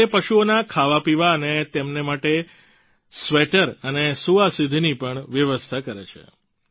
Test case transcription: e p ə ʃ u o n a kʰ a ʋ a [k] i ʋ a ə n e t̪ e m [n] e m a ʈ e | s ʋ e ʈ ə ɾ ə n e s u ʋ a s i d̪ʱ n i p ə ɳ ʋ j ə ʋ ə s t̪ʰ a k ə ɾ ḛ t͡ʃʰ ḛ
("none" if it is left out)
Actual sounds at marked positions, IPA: p, n

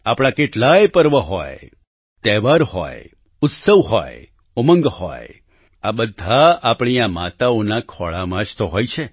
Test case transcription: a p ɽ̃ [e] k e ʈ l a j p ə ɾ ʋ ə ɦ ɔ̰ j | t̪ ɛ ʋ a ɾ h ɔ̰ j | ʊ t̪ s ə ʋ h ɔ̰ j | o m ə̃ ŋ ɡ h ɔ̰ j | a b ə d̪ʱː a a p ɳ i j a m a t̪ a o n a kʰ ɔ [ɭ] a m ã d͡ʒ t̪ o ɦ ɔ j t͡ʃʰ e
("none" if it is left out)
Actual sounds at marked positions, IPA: a, ɭ

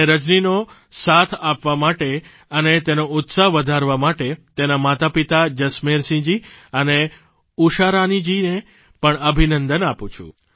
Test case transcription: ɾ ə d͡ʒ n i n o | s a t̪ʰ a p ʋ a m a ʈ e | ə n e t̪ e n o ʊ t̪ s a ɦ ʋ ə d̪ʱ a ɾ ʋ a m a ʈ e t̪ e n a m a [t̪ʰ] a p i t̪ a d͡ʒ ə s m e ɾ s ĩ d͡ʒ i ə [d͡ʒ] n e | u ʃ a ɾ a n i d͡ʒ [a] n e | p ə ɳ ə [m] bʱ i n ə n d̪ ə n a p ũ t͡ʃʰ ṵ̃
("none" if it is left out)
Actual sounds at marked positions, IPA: t̪, none, i, none

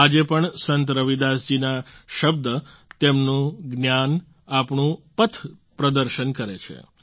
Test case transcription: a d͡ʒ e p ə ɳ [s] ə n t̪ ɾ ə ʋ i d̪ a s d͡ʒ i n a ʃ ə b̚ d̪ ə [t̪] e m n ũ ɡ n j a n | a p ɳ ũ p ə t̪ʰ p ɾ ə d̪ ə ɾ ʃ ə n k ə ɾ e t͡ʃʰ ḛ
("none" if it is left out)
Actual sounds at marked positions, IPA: s, t̪

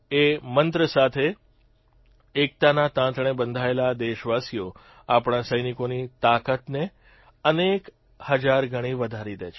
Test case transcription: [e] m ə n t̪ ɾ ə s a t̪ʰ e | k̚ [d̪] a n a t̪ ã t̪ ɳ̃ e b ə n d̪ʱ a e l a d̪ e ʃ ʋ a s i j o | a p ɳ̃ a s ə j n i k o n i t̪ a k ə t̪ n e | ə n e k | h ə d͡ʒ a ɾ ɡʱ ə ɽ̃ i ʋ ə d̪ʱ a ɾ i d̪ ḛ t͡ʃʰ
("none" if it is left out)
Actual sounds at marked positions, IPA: e, t̪

